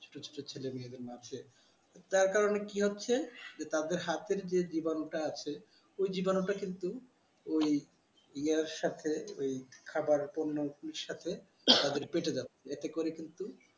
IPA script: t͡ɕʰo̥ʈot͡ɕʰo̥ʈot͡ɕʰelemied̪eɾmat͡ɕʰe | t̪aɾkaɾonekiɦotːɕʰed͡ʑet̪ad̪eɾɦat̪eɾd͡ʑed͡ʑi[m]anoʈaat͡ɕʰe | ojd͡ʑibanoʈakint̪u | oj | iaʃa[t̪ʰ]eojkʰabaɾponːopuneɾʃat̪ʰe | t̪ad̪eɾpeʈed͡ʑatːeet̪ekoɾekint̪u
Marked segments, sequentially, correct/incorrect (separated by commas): incorrect, correct